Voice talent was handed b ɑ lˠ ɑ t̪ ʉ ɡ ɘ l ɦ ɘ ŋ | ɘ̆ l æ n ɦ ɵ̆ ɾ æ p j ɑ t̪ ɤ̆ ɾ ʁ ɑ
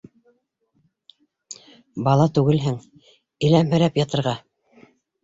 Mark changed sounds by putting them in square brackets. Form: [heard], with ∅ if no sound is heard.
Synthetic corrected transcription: b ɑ lˠ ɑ t̪ ʉ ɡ ɘ l ɦ ɘ ŋ | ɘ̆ l æ [m] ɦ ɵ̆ ɾ æ p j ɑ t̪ ɤ̆ ɾ ʁ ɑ